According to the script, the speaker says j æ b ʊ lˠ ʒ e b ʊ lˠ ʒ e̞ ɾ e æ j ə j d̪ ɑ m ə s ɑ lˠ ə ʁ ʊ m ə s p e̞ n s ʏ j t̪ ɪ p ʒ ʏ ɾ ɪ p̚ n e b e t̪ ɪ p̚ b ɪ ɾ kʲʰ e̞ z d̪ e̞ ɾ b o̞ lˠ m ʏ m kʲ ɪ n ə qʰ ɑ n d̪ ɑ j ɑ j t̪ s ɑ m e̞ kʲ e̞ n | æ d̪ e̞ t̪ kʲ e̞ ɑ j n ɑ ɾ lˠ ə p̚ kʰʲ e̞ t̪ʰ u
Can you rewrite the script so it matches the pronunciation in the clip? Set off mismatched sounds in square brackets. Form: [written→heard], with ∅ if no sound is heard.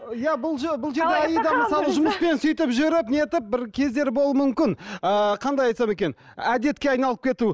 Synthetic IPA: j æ b ʊ lˠ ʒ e b ʊ lˠ ʒ e̞ ɾ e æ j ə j d̪ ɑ m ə s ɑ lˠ ə [ʁ→ʒ] ʊ m ə s p e̞ n s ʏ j t̪ ɪ p ʒ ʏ ɾ ɪ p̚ n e [b→∅] e t̪ ɪ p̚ b ɪ ɾ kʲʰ e̞ z d̪ e̞ ɾ b o̞ lˠ m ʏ m kʲ ɪ n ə qʰ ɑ n d̪ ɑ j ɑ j t̪ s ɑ m e̞ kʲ e̞ n | æ d̪ e̞ t̪ kʲ e̞ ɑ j n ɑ [ɾ→∅] lˠ ə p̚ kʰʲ e̞ [t̪ʰ→t̪] u